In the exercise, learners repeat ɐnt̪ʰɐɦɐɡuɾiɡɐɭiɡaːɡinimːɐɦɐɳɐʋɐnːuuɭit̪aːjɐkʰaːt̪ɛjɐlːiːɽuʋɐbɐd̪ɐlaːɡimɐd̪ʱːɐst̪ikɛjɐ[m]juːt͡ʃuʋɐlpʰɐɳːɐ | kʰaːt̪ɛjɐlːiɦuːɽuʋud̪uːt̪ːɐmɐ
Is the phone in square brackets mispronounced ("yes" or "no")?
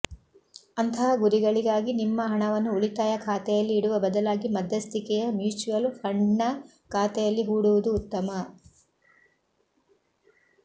no